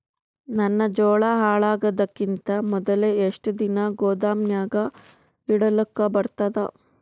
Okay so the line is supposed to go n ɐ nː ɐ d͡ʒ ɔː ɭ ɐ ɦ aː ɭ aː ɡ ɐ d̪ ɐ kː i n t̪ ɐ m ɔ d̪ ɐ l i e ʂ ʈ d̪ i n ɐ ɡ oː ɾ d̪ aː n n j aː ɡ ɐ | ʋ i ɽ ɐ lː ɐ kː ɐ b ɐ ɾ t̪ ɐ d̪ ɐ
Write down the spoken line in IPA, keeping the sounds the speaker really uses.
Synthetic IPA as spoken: n ɐ nː ɐ d͡ʒ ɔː ɭ ɐ ɦ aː ɭ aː ɡ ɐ d̪ ɐ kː i n t̪ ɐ m ɔ d̪ ɐ l e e ʂ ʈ d̪ i n ɐ ɡ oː d̪ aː m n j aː ɡ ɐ | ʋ i ɽ ɐ l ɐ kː ɐ b ɐ ɾ t̪ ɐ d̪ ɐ